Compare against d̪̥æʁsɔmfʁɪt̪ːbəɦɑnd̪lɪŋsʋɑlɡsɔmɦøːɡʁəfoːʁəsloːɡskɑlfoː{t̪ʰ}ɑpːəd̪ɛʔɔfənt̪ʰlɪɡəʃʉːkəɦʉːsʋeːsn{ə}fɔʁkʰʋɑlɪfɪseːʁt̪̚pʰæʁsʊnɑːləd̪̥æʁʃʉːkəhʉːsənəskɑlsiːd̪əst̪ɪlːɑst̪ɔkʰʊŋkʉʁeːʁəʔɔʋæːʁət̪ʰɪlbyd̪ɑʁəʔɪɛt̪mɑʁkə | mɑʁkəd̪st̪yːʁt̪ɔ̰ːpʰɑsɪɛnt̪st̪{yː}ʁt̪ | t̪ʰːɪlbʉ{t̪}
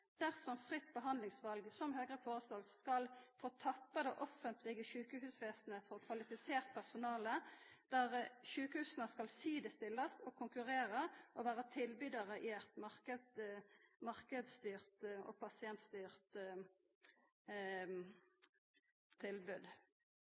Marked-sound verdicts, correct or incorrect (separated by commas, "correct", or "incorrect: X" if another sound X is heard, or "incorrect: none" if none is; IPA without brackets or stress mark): correct, correct, correct, incorrect: d̪